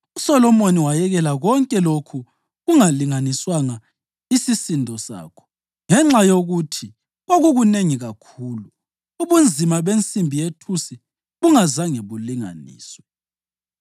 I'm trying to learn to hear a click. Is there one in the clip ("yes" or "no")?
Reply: yes